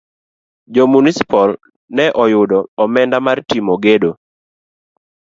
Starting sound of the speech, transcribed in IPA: d͡ʒ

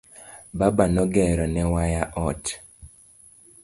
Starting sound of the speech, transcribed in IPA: b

